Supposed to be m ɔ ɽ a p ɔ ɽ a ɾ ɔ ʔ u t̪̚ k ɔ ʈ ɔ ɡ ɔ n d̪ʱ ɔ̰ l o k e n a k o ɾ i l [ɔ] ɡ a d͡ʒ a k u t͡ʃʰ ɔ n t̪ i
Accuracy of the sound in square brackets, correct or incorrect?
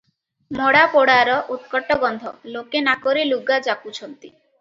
incorrect